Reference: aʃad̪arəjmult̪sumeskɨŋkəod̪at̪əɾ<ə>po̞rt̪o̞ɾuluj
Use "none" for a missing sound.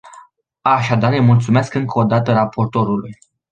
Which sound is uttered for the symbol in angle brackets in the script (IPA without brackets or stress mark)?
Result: a